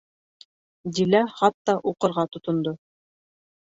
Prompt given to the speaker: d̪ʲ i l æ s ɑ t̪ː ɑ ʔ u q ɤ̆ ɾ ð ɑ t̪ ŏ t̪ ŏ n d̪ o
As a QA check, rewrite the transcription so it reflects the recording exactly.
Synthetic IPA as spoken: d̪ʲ i l æ χ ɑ t̪ː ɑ ʔ u q ɤ̆ ɾ ʁ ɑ t̪ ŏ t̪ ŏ n d̪ o